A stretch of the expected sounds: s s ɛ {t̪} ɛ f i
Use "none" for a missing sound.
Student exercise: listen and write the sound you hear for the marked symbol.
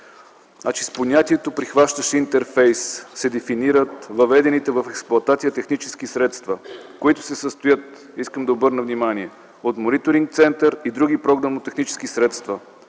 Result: d̪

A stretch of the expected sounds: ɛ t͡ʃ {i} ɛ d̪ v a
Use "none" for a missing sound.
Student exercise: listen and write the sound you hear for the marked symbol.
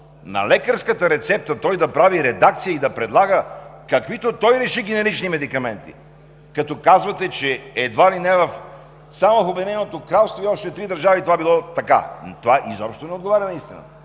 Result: ɛ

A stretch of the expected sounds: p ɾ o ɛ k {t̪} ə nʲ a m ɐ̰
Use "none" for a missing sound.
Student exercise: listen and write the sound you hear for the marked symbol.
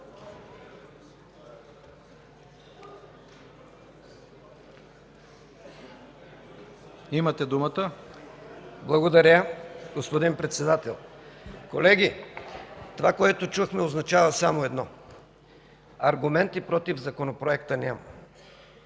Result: t̪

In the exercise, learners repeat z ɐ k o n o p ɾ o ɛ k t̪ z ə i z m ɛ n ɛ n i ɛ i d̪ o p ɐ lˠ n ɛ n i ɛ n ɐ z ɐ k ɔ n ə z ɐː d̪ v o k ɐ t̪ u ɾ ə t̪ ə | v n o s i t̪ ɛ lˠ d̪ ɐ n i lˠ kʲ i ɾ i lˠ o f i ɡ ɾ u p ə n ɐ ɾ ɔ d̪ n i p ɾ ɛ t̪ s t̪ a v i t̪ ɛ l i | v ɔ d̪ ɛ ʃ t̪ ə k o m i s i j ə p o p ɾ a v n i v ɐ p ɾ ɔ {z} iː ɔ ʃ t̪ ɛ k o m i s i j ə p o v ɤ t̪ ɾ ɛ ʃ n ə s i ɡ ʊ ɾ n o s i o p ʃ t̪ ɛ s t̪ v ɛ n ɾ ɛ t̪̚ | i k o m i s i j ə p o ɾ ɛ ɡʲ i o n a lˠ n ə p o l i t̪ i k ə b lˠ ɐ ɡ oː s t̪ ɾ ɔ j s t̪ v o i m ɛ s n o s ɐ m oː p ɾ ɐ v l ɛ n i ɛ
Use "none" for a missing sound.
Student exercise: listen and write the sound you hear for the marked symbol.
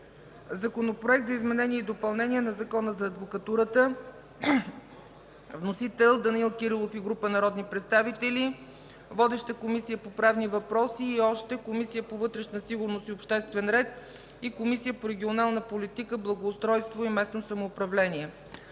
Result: s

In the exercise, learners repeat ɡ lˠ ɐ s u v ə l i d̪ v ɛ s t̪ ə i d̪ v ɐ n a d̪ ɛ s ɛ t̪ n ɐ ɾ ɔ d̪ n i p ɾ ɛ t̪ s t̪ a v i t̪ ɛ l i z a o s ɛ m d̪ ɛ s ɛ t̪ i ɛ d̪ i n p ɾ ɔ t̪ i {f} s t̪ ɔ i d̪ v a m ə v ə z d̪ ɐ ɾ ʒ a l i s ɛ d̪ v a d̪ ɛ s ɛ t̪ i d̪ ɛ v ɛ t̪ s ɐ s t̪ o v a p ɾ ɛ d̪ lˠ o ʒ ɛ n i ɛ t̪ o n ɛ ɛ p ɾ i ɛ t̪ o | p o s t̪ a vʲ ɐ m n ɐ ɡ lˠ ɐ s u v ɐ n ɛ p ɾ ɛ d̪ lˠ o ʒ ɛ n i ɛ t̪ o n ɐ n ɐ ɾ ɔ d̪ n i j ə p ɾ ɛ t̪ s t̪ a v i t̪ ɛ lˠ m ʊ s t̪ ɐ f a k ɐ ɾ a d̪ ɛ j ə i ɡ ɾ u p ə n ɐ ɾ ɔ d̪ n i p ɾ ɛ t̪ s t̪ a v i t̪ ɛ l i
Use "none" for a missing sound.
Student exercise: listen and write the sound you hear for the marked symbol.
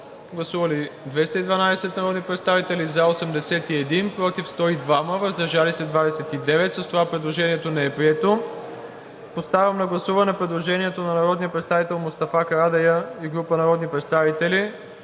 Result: f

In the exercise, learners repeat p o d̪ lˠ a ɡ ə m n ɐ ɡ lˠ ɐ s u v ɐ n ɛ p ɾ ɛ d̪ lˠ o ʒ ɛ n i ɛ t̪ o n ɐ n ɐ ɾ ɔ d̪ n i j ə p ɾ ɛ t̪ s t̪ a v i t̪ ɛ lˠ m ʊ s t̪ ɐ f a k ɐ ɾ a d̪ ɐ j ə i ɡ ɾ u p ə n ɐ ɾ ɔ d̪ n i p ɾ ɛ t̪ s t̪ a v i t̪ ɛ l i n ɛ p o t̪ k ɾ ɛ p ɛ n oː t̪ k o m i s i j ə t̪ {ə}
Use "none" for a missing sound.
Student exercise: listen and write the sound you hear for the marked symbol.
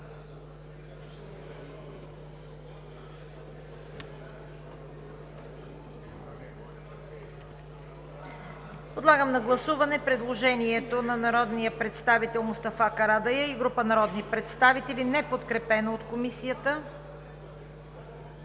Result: ə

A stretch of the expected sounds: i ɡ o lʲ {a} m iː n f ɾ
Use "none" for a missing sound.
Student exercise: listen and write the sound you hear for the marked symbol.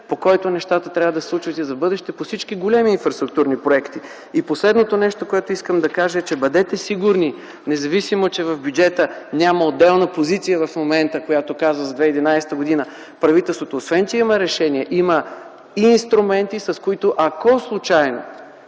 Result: ɛ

